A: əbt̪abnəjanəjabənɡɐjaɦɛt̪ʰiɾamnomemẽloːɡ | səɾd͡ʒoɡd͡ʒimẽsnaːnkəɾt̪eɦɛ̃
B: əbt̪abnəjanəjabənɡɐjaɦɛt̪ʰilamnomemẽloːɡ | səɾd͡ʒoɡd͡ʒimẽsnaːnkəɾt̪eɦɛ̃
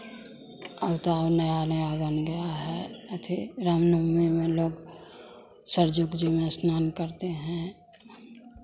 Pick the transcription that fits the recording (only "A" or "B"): A